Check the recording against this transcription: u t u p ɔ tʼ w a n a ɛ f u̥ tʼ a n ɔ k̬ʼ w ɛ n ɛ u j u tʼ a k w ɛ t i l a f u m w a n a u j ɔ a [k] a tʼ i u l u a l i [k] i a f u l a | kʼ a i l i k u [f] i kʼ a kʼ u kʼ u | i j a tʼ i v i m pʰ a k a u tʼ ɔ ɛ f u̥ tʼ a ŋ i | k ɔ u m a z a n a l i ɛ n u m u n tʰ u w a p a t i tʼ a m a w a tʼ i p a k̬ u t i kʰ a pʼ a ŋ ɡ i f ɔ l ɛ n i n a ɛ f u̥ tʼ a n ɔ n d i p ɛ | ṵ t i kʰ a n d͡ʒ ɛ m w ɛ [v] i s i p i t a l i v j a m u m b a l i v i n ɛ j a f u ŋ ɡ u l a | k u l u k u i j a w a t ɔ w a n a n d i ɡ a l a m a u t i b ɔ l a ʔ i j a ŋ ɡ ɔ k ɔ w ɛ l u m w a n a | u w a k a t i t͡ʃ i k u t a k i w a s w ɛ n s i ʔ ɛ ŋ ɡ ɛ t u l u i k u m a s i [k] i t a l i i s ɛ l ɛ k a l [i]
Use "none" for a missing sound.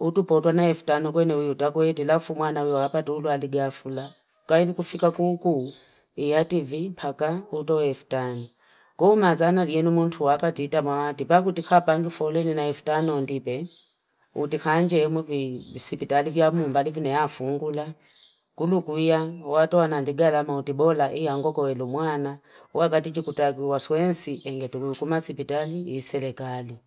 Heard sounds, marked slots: p, ɡ, f, v, p, i

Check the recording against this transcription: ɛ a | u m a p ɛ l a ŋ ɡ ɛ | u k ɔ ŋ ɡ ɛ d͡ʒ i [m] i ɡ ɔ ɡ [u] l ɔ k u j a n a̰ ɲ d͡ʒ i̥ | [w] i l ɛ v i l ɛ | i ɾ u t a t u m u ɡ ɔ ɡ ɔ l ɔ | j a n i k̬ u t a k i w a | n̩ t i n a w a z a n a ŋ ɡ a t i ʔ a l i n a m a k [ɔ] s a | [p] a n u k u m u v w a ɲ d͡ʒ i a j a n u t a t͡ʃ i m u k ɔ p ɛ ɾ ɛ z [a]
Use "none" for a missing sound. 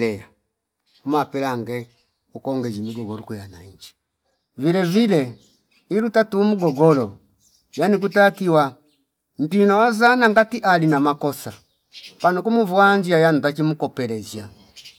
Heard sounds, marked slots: m, ɔ, v, ɔ, p, a

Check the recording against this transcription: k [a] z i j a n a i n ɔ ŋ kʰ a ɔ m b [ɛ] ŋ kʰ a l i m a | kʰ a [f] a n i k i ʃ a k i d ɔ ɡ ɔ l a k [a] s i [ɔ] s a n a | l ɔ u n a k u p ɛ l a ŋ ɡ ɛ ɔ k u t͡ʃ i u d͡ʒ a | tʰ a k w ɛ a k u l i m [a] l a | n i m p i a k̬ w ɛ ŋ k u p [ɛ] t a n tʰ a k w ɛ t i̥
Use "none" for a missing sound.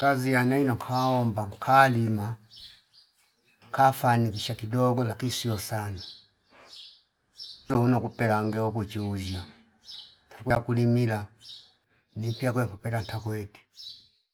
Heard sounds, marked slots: a, a, f, i, ɔ, i, ɛ

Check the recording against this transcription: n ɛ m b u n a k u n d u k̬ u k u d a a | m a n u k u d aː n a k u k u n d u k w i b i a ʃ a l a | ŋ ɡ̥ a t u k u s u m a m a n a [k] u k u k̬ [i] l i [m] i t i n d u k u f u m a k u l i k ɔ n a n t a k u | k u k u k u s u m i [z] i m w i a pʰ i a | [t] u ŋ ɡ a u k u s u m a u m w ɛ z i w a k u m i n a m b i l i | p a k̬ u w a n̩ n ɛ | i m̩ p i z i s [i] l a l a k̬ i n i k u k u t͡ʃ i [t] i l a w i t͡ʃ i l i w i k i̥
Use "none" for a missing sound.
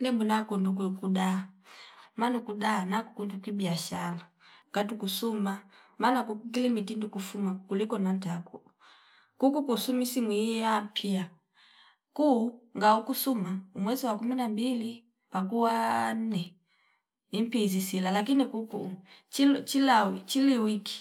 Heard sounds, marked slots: k, i, m, s, k, i, t͡ʃ

